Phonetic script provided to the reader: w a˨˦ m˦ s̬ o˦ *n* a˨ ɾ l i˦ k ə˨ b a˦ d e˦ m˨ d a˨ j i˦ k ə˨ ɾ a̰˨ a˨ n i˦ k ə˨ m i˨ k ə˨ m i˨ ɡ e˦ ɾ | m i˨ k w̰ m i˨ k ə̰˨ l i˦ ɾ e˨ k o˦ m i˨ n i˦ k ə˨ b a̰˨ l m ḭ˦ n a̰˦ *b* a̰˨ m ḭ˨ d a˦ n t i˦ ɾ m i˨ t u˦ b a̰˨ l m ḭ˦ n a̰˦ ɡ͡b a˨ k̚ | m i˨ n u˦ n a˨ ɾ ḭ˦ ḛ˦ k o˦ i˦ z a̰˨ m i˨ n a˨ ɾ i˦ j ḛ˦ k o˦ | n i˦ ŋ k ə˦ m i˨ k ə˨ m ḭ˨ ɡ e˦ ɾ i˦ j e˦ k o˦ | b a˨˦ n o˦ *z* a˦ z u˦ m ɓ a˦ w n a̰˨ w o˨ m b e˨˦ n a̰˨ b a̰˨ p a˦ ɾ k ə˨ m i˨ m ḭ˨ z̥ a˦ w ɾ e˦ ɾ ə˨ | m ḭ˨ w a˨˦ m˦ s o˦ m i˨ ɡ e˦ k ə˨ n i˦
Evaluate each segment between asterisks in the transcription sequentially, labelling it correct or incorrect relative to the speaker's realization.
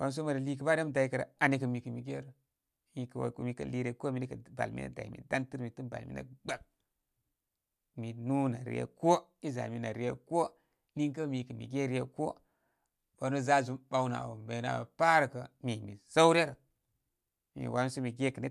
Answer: incorrect: m, incorrect: d, correct

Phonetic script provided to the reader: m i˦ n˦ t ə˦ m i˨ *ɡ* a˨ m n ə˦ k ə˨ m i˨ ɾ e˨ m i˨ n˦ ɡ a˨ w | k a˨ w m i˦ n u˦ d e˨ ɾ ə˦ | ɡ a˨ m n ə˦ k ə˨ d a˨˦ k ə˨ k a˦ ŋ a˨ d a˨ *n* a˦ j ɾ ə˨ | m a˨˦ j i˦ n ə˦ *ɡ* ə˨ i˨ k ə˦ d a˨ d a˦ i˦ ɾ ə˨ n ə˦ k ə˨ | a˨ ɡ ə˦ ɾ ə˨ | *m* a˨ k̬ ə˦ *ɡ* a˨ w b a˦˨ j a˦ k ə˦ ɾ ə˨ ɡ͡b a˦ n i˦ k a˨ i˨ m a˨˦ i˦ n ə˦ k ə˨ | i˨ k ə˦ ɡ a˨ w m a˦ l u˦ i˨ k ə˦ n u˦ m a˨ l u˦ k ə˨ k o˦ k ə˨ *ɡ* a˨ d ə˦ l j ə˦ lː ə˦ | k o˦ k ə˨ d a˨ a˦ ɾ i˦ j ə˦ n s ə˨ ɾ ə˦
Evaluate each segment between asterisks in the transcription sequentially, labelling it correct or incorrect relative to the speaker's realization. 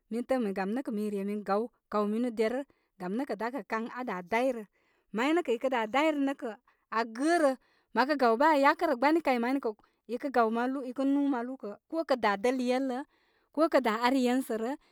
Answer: correct, incorrect: d, incorrect: k, correct, correct, incorrect: d

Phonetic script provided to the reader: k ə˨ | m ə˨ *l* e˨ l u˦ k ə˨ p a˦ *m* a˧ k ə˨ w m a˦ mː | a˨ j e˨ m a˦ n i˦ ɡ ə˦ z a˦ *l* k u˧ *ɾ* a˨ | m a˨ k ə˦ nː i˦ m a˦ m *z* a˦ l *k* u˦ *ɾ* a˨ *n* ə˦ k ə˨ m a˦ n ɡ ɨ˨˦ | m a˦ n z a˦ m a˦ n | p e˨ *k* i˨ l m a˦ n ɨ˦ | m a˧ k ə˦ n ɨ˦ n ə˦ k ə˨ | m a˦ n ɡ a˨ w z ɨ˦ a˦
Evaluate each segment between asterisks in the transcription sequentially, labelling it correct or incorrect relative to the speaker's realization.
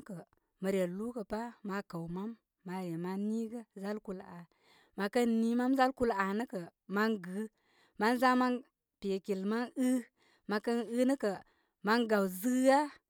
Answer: incorrect: ɾ, correct, correct, incorrect: l, correct, correct, incorrect: l, correct, correct

